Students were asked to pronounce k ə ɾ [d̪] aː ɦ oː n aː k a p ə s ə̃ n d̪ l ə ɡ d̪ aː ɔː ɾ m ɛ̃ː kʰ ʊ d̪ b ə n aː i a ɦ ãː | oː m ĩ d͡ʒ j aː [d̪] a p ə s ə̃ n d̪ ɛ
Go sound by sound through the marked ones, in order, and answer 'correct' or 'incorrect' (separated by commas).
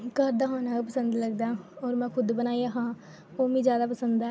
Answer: correct, correct